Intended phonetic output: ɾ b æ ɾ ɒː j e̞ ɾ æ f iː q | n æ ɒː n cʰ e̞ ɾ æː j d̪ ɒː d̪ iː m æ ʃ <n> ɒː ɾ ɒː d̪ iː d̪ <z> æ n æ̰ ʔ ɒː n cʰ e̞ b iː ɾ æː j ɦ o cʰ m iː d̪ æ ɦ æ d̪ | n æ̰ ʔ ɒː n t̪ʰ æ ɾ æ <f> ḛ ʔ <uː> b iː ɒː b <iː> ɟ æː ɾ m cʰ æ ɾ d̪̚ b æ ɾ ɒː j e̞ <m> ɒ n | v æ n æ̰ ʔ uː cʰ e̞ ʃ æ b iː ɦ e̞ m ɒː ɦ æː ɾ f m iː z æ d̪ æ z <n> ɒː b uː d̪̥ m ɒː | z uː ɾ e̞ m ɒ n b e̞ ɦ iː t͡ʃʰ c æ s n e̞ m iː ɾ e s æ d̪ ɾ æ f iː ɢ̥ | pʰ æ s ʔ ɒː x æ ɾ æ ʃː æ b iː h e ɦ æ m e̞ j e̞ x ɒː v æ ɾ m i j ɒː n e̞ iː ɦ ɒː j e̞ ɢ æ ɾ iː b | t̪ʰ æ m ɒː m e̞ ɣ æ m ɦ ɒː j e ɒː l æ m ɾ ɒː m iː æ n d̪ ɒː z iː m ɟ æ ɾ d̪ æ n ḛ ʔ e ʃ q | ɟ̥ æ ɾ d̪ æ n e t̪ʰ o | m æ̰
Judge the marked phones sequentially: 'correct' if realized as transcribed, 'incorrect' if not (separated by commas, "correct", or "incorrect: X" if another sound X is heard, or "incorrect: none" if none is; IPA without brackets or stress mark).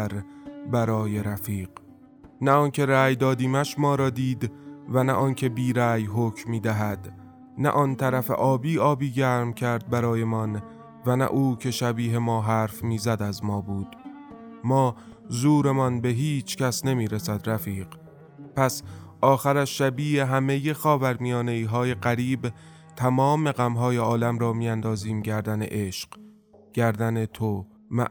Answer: incorrect: m, incorrect: v, correct, incorrect: ɒː, correct, correct, incorrect: m